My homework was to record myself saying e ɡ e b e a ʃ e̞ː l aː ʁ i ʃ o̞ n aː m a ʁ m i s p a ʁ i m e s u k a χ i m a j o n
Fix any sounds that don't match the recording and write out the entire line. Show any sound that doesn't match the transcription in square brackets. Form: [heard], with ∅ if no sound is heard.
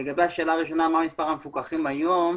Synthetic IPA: e ɡ [a] b e a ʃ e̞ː l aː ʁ i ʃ o̞ n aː m a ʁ m i s p a ʁ [a] m e [f] u k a χ i m a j o [m]